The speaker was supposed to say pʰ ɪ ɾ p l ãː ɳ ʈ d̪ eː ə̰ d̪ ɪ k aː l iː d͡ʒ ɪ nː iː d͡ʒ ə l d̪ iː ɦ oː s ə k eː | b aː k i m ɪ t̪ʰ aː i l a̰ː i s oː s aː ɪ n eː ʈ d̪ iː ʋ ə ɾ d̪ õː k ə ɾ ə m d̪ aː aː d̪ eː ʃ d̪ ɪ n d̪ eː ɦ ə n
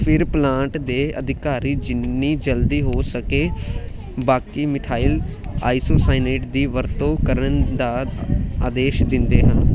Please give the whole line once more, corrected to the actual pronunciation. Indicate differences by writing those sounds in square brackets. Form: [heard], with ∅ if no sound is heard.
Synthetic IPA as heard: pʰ ɪ ɾ p l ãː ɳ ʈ d̪ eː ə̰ d̪ ɪ k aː [ɾ] iː d͡ʒ ɪ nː iː d͡ʒ ə l d̪ iː ɦ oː s ə k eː | b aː k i m ɪ t̪ʰ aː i l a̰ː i s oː s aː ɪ n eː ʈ d̪ iː ʋ ə ɾ [t̪] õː k ə ɾ ə [n] d̪ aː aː d̪ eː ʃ d̪ ɪ n d̪ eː ɦ ə n